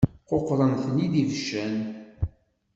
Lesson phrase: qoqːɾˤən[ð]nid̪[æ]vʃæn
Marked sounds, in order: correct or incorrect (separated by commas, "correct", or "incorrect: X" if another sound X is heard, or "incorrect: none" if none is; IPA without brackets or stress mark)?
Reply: incorrect: θ, incorrect: i